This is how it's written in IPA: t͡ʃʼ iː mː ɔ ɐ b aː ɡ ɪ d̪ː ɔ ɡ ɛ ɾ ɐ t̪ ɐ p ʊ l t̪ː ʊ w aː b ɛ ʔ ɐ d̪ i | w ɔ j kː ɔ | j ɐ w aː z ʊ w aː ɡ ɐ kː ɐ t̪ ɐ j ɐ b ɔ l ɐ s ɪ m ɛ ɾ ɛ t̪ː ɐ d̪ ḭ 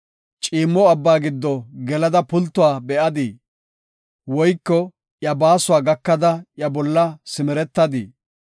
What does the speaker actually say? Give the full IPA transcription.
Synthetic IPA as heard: t͡ʃʼ iː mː ɔ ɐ bː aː ɡ ɪ d̪ː ɔ ɡ ɛ l ɐ d̪ ɐ p ʊ l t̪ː ʊ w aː b ɛ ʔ ɐ d̪ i | w ɔ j kː ɔ | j ɐ b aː s ʊ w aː ɡ ɐ kː ɐ d̪ ɐ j ɐ b ɔ lː ɐ s ɪ m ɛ ɾ ɛ t̪ː ɐ d̪ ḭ